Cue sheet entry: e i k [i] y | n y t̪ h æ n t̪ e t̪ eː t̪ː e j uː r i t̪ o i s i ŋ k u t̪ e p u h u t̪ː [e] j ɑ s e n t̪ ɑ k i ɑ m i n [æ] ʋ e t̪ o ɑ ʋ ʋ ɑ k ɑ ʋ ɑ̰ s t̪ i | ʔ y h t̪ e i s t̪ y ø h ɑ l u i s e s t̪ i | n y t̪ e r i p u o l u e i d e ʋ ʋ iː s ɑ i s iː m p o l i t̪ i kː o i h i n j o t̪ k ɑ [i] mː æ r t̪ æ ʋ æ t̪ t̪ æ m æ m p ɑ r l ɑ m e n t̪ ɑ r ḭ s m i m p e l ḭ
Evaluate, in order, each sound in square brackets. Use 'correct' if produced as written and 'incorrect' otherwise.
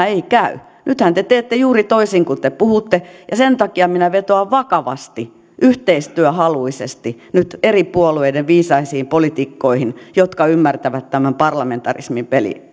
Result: incorrect: æ, correct, correct, incorrect: y

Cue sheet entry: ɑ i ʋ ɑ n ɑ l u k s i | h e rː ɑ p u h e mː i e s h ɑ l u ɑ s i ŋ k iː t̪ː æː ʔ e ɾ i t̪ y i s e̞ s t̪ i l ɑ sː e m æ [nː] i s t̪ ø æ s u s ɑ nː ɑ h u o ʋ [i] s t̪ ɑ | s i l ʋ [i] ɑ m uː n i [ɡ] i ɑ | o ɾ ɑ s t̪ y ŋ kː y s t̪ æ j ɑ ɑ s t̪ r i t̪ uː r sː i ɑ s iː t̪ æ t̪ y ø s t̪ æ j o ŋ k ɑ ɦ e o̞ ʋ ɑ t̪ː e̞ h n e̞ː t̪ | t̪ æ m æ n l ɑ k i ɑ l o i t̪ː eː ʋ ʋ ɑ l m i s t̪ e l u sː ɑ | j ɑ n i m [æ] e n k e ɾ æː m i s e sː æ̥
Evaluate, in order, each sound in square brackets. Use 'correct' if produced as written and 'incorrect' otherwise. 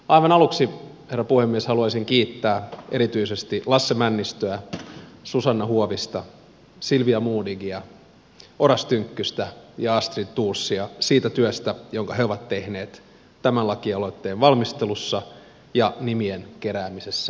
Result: correct, correct, correct, correct, incorrect: i

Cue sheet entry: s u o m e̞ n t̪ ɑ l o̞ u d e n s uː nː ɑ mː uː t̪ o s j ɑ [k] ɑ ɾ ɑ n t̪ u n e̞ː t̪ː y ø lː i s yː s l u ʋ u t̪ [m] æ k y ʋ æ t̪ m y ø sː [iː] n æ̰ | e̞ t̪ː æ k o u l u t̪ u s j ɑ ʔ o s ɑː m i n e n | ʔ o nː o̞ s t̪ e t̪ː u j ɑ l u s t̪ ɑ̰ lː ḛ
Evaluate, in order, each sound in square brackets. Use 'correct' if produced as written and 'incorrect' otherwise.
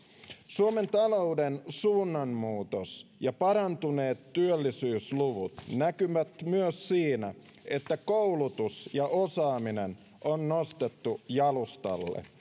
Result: incorrect: p, incorrect: n, correct

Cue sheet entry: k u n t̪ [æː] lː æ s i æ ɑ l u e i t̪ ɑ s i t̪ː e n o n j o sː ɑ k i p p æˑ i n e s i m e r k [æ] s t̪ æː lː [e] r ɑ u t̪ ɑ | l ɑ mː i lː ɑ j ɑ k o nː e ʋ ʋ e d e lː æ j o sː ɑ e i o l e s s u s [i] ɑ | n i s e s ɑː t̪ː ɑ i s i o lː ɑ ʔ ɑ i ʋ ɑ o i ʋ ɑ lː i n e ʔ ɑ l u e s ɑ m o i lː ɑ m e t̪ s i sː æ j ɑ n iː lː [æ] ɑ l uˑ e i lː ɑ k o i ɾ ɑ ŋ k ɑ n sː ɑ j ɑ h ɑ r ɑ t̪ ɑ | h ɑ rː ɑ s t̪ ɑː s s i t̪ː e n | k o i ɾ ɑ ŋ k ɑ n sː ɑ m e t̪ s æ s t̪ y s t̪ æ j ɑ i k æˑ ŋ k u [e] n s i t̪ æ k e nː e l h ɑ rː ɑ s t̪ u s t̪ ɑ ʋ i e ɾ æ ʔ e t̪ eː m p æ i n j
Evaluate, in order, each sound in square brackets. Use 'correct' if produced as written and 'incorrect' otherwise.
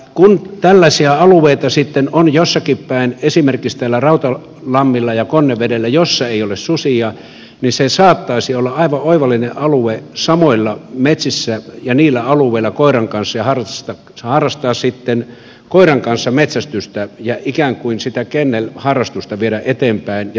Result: incorrect: æ, incorrect: i, incorrect: æ, correct, correct, incorrect: i

